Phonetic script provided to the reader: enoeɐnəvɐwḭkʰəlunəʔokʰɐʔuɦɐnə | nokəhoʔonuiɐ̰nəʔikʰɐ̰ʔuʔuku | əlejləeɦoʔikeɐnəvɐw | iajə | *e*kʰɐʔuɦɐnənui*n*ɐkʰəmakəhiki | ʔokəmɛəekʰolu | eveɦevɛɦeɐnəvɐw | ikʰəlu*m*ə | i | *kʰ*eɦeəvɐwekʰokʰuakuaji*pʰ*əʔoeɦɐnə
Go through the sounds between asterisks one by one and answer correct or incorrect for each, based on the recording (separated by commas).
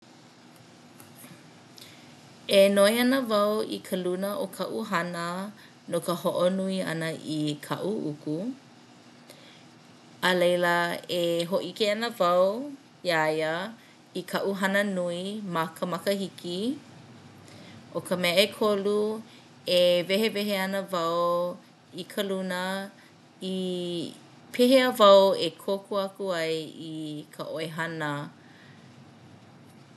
incorrect, incorrect, incorrect, incorrect, incorrect